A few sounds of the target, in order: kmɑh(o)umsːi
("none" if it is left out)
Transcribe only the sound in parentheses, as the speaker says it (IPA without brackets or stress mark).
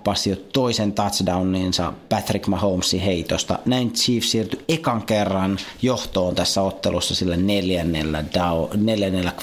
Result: o